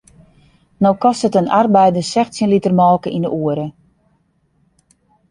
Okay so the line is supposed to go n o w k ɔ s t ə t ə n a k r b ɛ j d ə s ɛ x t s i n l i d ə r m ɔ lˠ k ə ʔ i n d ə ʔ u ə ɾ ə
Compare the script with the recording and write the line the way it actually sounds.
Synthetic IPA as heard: n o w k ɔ s t ə t ə n a r b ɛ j d ə s ɛ x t s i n l i t ə r m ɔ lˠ k ə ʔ i n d ə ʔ u ə ɾ ə